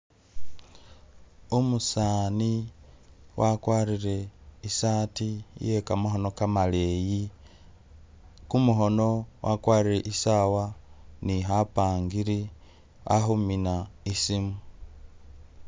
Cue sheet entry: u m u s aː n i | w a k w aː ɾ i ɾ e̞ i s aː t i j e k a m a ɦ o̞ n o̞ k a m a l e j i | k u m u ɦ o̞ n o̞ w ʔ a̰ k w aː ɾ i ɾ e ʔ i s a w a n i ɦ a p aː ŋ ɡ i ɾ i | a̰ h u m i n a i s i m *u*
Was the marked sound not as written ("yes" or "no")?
no